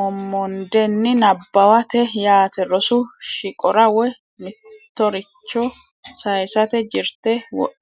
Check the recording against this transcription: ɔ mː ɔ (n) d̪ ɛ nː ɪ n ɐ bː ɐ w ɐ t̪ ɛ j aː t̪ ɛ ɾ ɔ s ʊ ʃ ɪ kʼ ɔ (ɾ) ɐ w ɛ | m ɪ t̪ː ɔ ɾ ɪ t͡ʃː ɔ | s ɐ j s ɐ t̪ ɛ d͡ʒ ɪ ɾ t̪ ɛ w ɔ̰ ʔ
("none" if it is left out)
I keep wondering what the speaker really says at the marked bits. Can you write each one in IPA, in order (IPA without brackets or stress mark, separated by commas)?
n, ɾ